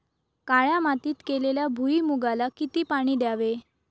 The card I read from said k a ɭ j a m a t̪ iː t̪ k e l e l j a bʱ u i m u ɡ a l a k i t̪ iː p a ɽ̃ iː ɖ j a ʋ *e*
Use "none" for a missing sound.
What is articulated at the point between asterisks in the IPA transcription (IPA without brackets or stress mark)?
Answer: e